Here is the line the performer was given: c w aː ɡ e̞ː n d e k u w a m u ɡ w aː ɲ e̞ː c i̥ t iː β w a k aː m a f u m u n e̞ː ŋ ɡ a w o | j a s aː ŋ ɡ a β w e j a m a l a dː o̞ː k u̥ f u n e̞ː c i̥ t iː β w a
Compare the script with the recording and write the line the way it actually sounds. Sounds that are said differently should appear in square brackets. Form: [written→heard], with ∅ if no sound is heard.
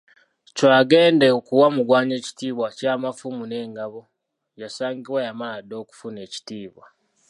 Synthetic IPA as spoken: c w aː ɡ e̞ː n d e k u w a m u ɡ w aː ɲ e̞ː c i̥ t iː β w a [k→c] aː m a f u m u n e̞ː ŋ ɡ a [w→β] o | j a s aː ŋ ɡ [a→i] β w [e→a] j a m a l a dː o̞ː k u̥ f u n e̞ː c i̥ t iː β w a